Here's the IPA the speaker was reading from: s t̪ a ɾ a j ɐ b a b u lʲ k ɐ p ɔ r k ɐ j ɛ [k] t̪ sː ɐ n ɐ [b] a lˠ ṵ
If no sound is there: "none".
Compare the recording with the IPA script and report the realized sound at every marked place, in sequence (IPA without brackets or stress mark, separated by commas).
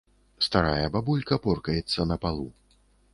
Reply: none, p